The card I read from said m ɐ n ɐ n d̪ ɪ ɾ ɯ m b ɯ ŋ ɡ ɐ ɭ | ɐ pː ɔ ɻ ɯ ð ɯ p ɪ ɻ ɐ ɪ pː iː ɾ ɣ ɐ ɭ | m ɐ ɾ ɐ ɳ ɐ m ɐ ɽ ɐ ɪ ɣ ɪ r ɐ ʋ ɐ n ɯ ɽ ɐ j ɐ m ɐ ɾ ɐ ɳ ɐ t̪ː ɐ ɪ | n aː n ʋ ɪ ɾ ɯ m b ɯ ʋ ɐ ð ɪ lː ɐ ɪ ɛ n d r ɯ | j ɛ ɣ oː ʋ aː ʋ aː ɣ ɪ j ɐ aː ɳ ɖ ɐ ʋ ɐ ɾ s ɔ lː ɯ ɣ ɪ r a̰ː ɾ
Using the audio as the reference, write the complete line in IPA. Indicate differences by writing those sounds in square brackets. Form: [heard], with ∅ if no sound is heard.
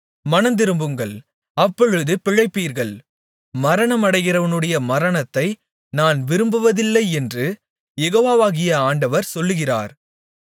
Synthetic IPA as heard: m ɐ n ɐ n d̪ ɪ ɾ ɯ m b ɯ ŋ ɡ ɐ ɭ | ɐ pː ɔ ɻ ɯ ð ɯ p ɪ ɻ ɐ ɪ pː iː ɾ ɣ ɐ ɭ | m ɐ ɾ ɐ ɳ ɐ m ɐ ɽ ɐ ɪ ɣ ɪ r ɐ ʋ ɐ n ɯ ɽ ɐ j ɐ m ɐ ɾ ɐ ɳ ɐ t̪ː ɐ ɪ | n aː n ʋ ɪ ɾ ɯ m b ɯ ʋ ɐ ð ɪ lː ɐ ɪ ɛ n d r ɯ | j ɛ ɣ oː ʋ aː ʋ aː ɣ ɪ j ɐ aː ɳ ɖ ɐ ʋ ɐ ɾ s ɔ lː ɯ ɣ ɪ r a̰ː ɾ

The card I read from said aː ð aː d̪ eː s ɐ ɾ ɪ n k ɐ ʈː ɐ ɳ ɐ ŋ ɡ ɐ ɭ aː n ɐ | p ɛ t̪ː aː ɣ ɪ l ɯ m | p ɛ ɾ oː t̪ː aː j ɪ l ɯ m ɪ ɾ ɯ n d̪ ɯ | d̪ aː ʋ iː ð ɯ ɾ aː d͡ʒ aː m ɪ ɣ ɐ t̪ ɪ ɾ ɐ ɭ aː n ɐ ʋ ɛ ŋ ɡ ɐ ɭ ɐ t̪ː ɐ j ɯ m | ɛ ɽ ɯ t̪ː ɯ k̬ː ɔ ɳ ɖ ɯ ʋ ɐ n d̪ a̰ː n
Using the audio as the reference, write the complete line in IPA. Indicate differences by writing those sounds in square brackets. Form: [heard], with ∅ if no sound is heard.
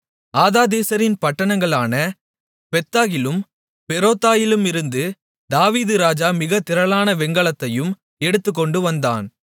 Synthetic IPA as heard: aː ð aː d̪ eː s ɐ ɾ ɪ n [p] ɐ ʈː ɐ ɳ ɐ ŋ ɡ ɐ ɭ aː n ɐ | p ɛ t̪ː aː ɣ ɪ l ɯ m | p ɛ ɾ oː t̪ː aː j ɪ l ɯ m ɪ ɾ ɯ n d̪ ɯ | d̪ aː ʋ iː ð ɯ ɾ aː d͡ʒ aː m ɪ ɣ ɐ t̪ ɪ ɾ ɐ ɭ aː n ɐ ʋ ɛ ŋ ɡ ɐ ɭ ɐ t̪ː ɐ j ɯ m | ɛ ɽ ɯ t̪ː ɯ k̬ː ɔ ɳ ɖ ɯ ʋ ɐ n d̪ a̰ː n

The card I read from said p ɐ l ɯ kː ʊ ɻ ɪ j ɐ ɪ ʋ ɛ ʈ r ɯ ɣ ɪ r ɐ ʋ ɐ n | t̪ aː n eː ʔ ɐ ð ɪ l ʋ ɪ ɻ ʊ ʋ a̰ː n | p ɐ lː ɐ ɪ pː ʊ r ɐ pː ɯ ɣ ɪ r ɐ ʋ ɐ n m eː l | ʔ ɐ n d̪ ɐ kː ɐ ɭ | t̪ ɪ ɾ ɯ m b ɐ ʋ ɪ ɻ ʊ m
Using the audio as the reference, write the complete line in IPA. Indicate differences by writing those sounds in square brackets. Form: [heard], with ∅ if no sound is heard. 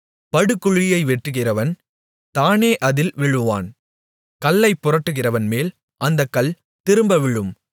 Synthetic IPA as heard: p ɐ [ɽ] ɯ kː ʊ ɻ ɪ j ɐ ɪ ʋ ɛ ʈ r ɯ ɣ ɪ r ɐ ʋ ɐ n | t̪ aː n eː ʔ ɐ ð ɪ l ʋ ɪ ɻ [ɯ] ʋ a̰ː n | [k] ɐ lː ɐ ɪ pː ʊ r ɐ [ʈː] ɯ ɣ ɪ r ɐ ʋ ɐ n m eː l | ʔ ɐ n d̪ ɐ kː ɐ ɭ | t̪ ɪ ɾ ɯ m b ɐ ʋ ɪ ɻ [ɯ] m

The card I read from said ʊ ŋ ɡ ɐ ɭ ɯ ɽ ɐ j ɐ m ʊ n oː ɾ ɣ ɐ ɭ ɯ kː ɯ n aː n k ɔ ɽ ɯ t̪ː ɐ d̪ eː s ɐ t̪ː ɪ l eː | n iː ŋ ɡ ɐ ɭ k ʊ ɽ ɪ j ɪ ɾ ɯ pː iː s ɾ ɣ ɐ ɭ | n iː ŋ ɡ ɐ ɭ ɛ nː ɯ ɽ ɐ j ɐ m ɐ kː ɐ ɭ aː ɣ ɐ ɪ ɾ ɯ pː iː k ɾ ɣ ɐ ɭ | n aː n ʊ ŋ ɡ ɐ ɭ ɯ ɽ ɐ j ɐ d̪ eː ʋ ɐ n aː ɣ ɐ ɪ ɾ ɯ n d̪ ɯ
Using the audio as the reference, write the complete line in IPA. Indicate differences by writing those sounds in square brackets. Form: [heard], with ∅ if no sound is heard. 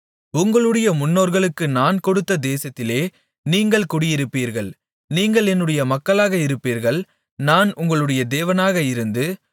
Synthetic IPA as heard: ʊ ŋ ɡ ɐ ɭ ɯ ɽ ɐ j ɐ m ʊ [nː] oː ɾ ɣ ɐ ɭ ɯ kː ɯ n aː n k ɔ ɽ ɯ t̪ː ɐ d̪ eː s ɐ t̪ː ɪ l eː | n iː ŋ ɡ ɐ ɭ k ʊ ɽ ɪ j ɪ ɾ ɯ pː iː [∅] ɾ ɣ ɐ ɭ | n iː ŋ ɡ ɐ ɭ ɛ nː ɯ ɽ ɐ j ɐ m ɐ kː ɐ ɭ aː ɣ ɐ ɪ ɾ ɯ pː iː [∅] ɾ ɣ ɐ ɭ | n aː n ʊ ŋ ɡ ɐ ɭ ɯ ɽ ɐ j ɐ d̪ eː ʋ ɐ n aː ɣ ɐ ɪ ɾ ɯ n d̪ ɯ

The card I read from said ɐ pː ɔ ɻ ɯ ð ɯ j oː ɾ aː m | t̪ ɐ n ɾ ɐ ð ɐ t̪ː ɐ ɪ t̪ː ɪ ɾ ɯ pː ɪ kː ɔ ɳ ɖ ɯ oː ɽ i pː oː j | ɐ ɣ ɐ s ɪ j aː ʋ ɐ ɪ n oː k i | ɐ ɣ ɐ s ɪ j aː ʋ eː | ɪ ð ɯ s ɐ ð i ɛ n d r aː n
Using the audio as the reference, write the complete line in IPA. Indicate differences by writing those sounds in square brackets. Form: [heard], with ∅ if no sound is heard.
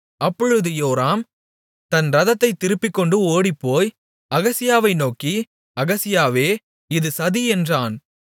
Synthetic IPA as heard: ɐ pː ɔ ɻ ɯ ð ɯ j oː ɾ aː m | t̪ ɐ n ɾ ɐ ð ɐ t̪ː ɐ ɪ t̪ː ɪ ɾ ɯ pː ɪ kː ɔ ɳ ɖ ɯ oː ɽ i pː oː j | ɐ ɣ ɐ s ɪ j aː ʋ ɐ ɪ n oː k i | ɐ ɣ ɐ s ɪ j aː ʋ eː | ɪ ð ɯ s ɐ ð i ɛ n d r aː n

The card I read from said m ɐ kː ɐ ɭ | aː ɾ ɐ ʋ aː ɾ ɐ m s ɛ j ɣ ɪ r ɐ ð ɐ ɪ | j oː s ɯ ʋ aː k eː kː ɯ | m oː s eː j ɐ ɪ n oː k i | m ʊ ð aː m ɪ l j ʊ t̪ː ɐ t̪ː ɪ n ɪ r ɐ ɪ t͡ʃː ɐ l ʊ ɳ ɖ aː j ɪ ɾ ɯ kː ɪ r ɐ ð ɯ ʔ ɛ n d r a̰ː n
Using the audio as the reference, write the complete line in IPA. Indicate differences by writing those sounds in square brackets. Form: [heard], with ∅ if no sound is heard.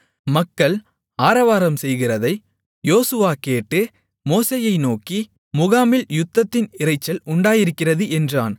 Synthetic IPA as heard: m ɐ kː ɐ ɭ | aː ɾ ɐ ʋ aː ɾ ɐ m s ɛ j ɣ ɪ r ɐ ð ɐ ɪ | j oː s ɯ ʋ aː k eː [ʈː] ɯ | m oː s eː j ɐ ɪ n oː k i | m ʊ [ɣ] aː m ɪ l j ʊ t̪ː ɐ t̪ː ɪ n ɪ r ɐ ɪ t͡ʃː ɐ l ʊ ɳ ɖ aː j ɪ ɾ ɯ kː ɪ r ɐ ð ɯ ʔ ɛ n d r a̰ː n

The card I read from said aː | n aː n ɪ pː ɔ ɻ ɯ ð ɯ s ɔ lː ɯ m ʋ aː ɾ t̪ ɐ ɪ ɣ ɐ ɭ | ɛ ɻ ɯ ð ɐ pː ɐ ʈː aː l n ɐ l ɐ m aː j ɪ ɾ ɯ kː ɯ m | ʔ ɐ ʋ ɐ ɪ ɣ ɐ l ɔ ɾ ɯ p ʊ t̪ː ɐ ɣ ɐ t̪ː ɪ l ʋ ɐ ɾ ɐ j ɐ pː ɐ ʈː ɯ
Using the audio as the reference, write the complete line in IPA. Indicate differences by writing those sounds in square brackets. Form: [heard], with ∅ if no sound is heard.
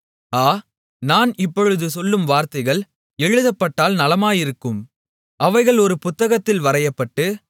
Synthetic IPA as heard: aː | n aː n ɪ pː ɔ ɻ ɯ ð ɯ s ɔ lː ɯ m ʋ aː ɾ t̪ ɐ ɪ ɣ ɐ ɭ | ɛ ɻ ɯ ð ɐ pː ɐ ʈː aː l n ɐ l ɐ m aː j ɪ ɾ ɯ kː ɯ m | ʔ ɐ ʋ ɐ ɪ ɣ ɐ [ɭ] ɔ ɾ ɯ p ʊ t̪ː ɐ ɣ ɐ t̪ː ɪ l ʋ ɐ ɾ ɐ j ɐ pː ɐ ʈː ɯ

